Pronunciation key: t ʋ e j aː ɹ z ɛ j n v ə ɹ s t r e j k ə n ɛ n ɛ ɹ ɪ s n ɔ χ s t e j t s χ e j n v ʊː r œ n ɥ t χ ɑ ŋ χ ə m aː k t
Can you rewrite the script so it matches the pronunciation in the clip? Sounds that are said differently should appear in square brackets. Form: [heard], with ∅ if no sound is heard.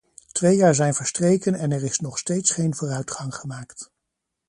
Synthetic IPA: t ʋ e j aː ɹ z ɛ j n v ə ɹ s t r e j k ə n ɛ n ɛ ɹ ɪ s n ɔ χ s t e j t s χ e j n v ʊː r œ [∅] ɥ t χ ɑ ŋ χ ə m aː k t